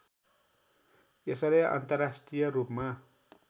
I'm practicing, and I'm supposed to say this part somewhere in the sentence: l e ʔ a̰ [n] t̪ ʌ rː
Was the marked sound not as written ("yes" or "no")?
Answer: no